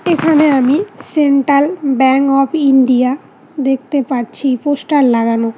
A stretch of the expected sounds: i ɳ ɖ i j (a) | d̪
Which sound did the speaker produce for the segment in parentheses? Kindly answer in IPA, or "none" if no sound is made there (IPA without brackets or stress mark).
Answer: a